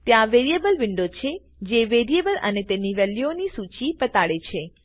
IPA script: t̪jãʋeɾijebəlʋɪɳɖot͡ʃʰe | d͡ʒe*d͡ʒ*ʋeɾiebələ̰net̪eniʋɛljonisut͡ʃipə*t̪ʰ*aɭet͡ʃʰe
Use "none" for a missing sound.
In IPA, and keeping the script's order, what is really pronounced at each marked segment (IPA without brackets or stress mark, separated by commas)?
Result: none, t̪